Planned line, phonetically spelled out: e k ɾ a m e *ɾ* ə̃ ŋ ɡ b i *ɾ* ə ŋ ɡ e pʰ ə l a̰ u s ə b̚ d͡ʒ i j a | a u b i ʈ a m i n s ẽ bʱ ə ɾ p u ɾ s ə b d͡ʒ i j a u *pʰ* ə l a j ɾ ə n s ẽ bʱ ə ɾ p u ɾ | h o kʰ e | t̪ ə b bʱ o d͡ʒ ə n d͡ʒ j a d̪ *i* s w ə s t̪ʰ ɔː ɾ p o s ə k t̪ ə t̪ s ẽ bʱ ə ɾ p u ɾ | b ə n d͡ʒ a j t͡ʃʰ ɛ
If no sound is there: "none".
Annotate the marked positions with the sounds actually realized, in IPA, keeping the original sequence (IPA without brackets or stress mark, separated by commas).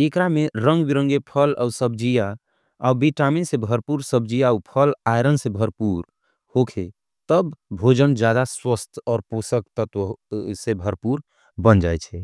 ɾ, ɾ, pʰ, a